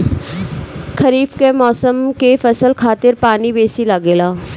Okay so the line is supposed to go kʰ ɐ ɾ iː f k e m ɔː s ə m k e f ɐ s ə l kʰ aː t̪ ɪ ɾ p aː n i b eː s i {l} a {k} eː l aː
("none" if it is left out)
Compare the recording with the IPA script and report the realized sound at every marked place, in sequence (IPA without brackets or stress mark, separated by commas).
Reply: l, ɡ